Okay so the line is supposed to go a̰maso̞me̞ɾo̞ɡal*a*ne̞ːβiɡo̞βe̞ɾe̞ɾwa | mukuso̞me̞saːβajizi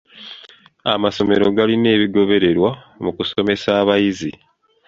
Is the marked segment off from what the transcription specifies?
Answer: yes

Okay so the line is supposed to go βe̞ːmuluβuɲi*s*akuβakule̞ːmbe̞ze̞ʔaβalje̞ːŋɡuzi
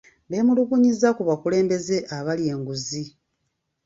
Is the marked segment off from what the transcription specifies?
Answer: yes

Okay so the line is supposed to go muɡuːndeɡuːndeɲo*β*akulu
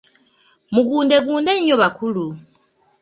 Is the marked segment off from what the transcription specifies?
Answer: no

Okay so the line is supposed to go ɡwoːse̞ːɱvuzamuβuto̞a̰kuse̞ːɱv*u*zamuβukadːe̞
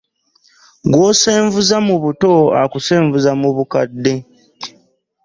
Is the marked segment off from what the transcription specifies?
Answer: no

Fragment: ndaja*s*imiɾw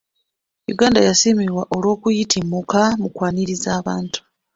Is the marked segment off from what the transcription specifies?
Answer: no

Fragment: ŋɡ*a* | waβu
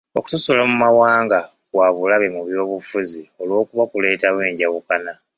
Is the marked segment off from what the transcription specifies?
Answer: no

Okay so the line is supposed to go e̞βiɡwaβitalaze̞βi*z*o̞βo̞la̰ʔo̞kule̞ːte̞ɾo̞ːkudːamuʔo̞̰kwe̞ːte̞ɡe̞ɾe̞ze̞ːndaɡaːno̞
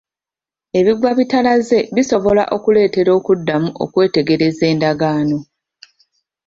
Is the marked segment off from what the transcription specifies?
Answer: yes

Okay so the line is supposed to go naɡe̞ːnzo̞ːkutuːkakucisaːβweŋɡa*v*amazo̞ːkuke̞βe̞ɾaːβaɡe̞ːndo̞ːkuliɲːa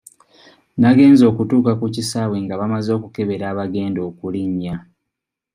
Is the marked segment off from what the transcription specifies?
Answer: yes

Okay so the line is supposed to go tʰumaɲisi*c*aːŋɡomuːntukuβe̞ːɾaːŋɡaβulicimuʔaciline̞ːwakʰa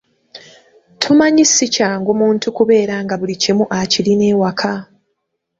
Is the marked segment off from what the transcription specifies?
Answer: no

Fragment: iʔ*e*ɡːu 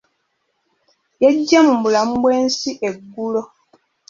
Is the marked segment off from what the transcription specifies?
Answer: no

